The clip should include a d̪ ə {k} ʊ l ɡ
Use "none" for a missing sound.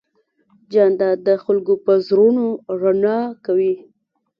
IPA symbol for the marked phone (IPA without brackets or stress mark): x